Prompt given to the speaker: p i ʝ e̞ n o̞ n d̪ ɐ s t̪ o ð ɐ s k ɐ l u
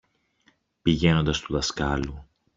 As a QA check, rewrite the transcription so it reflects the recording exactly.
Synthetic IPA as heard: p i ʝ e̞ n o̞ n d̪ ɐ s t̪ u ð ɐ s k ɐ l u